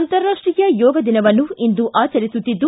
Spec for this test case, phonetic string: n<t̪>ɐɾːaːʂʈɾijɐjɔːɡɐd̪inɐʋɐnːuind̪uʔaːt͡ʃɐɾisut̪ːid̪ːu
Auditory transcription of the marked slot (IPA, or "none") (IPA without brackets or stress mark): t̪